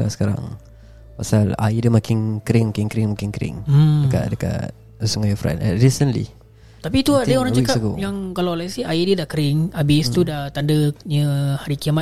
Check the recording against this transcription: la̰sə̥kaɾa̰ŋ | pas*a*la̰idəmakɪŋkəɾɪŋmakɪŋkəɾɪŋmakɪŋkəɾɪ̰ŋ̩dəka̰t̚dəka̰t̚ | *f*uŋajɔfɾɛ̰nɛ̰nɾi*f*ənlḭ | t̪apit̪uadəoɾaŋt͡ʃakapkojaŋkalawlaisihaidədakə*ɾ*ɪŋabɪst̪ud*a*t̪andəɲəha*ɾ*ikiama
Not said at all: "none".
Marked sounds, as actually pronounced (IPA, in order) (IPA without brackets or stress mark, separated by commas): a, s, s, ɾ, a, ɾ